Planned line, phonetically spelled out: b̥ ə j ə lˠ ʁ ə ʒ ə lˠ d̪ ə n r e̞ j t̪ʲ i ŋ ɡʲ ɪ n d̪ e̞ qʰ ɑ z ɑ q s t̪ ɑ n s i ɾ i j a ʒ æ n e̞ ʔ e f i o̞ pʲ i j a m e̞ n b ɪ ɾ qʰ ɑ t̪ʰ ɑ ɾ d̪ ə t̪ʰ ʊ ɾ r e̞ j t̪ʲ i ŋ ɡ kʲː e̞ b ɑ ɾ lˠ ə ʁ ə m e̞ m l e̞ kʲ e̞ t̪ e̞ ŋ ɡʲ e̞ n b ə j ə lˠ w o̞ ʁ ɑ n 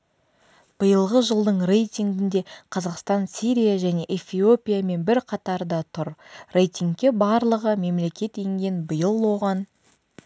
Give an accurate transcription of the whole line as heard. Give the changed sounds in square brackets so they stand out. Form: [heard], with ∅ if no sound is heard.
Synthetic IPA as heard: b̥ ə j ə lˠ ʁ ə ʒ ə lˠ d̪ ə [ɴ] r e̞ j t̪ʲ i ŋ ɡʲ ɪ n d̪ e̞ qʰ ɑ z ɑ q s t̪ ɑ n s i ɾ i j a ʒ æ n e̞ ʔ e f i o̞ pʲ i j a m e̞ n b ɪ ɾ qʰ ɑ [t̪] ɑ ɾ d̪ [ɑ] t̪ʰ ʊ ɾ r e̞ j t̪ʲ i ŋ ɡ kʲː e̞ b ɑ ɾ lˠ ə ʁ ə m e̞ m l e̞ kʲ e̞ t̪ e̞ ŋ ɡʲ e̞ n b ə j ə lˠ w o̞ ʁ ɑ n